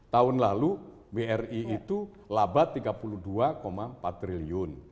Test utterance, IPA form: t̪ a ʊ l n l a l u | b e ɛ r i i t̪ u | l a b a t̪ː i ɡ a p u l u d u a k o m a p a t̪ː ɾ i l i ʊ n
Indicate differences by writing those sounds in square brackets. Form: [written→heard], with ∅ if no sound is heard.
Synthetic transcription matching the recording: t̪ a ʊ [l→∅] n l a l u | b e ɛ r i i t̪ u | l a b a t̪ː i ɡ a p u l u d u a k o m a p a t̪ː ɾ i l i ʊ n